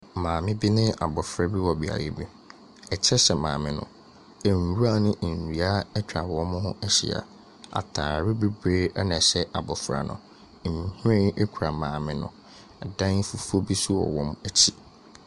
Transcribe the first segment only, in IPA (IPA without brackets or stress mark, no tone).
m